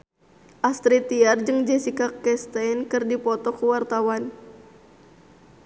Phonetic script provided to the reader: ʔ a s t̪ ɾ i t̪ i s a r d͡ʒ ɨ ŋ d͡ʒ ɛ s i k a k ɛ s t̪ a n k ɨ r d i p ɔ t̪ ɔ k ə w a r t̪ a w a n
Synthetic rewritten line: ʔ a s t̪ ɾ i t̪ i a r d͡ʒ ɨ ŋ d͡ʒ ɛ s i k a k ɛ s t̪ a n k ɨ r d i p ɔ t̪ ɔ k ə w a r t̪ a w a n